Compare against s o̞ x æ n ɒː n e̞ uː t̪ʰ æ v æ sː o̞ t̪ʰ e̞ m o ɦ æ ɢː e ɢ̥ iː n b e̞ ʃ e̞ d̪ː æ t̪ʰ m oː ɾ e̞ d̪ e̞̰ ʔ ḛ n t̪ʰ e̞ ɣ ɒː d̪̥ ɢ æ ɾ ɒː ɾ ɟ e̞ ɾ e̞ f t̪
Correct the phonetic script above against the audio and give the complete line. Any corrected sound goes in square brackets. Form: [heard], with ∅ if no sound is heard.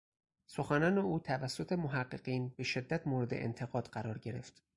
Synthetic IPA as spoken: s o̞ x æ n ɒː n e̞ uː t̪ʰ æ v æ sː o̞ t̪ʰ e̞ m o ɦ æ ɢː e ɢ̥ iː n b e̞ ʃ e̞ d̪ː æ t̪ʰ m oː ɾ e̞ d̪ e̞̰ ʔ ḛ n t̪ʰ e̞ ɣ ɒː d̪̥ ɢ æ ɾ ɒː ɾ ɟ e̞ ɾ e̞ f t̪

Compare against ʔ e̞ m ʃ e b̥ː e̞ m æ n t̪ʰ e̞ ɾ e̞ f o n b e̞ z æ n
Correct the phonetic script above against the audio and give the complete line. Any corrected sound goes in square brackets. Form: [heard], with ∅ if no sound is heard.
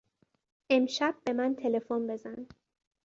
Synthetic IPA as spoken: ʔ e̞ m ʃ [æ] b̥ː e̞ m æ n t̪ʰ e̞ [l] e̞ f o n b e̞ z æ n

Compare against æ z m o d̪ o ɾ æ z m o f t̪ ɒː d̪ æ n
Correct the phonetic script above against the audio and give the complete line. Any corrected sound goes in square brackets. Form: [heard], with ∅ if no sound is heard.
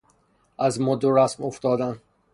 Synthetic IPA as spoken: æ z m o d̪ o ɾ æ [s] m o f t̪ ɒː d̪ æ n

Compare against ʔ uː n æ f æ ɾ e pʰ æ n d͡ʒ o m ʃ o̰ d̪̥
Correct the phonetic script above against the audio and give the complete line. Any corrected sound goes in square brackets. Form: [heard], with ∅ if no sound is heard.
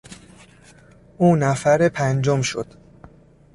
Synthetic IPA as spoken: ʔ uː n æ f æ ɾ e pʰ æ n d͡ʒ o m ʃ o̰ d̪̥

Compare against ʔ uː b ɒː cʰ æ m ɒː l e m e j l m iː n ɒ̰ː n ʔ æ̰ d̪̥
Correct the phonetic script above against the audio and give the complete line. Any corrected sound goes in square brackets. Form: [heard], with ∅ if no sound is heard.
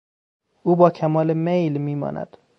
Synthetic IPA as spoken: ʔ uː b ɒː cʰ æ m ɒː l e m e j l m iː [m] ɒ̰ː n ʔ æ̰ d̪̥

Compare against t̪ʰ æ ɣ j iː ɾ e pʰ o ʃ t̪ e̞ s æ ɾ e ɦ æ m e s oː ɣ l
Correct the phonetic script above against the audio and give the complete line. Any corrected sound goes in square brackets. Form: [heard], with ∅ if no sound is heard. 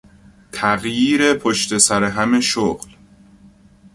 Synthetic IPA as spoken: t̪ʰ æ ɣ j iː ɾ e pʰ o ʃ t̪ e̞ s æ ɾ e ɦ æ m e [ʃ] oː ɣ l

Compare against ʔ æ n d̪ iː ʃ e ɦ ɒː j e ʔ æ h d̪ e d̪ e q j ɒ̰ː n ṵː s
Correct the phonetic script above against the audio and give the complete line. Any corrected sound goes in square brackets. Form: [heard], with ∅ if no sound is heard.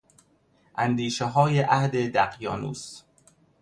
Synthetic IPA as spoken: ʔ æ n d̪ iː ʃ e ɦ ɒː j e ʔ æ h d̪ e d̪ [æ] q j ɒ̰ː n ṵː s

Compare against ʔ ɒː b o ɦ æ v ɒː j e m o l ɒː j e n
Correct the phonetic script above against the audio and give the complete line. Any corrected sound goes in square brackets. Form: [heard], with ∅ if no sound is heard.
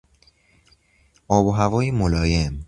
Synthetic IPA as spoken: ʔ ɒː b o ɦ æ v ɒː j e m o l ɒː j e [m]

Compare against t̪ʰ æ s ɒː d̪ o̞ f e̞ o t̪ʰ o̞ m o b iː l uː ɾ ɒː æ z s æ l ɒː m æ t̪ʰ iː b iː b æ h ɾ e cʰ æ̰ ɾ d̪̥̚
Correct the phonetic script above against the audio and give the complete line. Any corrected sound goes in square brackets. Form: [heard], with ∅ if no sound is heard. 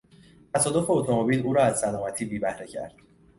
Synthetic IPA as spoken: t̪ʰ æ s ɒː d̪ o̞ f e̞ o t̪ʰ o̞ m o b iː l uː ɾ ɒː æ z s æ l ɒː m æ t̪ʰ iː b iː b æ h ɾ e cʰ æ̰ ɾ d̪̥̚

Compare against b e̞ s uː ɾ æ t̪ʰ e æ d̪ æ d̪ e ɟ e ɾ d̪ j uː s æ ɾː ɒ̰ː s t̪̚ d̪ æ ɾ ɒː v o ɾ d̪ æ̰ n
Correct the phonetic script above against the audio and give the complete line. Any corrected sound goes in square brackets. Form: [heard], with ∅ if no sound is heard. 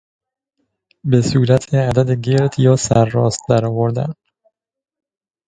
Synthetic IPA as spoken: b e̞ s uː ɾ æ t̪ʰ e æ d̪ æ d̪ e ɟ e ɾ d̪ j [ɒː] s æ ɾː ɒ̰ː s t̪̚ d̪ æ ɾ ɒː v o ɾ d̪ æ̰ n

